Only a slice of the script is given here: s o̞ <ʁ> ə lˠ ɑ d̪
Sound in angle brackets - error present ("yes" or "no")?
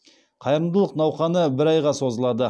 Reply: yes